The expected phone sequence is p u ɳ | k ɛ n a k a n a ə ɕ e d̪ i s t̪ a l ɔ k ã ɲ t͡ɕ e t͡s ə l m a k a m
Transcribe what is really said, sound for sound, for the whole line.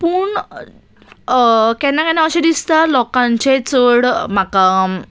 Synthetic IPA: p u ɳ | k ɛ n a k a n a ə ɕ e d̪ i s t̪ a l ɔ k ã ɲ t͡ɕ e t͡s ə ɽ m a k a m